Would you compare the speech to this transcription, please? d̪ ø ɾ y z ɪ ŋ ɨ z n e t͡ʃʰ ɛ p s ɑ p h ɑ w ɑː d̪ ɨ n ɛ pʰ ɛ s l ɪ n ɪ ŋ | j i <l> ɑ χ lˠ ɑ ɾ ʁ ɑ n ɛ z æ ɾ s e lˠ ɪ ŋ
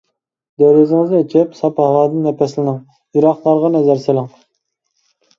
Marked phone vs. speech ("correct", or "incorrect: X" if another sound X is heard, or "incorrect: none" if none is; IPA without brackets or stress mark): incorrect: ɾ